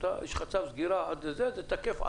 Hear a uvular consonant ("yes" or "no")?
yes